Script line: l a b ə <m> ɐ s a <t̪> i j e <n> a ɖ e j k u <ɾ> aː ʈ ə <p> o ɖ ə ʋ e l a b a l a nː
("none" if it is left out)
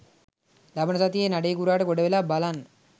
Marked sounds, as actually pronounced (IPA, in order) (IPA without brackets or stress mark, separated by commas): n, t̪, n, ɾ, k